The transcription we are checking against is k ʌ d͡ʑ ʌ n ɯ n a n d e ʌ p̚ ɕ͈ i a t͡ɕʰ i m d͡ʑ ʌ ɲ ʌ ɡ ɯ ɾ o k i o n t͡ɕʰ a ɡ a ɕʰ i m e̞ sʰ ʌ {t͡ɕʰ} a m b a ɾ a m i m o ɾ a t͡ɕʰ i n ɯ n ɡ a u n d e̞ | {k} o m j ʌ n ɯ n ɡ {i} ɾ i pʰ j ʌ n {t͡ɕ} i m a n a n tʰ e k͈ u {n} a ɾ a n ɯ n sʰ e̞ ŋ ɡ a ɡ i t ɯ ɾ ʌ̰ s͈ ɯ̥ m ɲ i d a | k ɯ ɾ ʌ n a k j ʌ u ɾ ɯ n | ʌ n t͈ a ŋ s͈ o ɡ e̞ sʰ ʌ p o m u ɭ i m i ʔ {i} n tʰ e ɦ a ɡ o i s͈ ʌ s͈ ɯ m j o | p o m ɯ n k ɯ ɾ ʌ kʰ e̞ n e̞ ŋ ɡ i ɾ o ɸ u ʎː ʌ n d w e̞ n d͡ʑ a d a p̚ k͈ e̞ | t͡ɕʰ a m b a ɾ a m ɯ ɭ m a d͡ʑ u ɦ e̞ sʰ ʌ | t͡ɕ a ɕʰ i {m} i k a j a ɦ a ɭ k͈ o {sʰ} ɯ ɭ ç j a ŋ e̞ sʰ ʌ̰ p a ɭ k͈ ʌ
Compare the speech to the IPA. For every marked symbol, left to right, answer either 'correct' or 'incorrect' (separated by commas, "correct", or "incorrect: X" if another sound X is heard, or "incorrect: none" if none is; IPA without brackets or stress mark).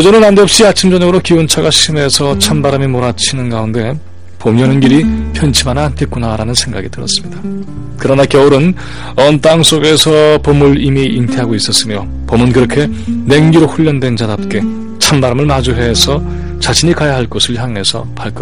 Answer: correct, incorrect: p, correct, incorrect: t͡ɕʰ, correct, correct, incorrect: ɲ, correct